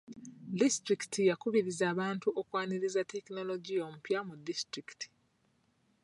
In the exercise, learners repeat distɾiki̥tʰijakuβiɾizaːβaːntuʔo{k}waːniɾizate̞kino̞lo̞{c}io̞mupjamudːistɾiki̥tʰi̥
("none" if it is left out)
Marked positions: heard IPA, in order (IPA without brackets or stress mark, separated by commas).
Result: k, ɟ